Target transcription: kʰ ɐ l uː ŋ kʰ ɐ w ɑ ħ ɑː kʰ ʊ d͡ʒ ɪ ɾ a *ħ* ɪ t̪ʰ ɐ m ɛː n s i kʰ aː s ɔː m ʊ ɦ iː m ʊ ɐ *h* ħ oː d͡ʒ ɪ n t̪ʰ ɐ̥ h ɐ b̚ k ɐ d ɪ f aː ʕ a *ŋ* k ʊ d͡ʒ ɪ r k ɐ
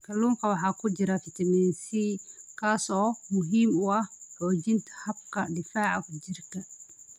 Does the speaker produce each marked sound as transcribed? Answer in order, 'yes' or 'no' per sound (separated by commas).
no, yes, no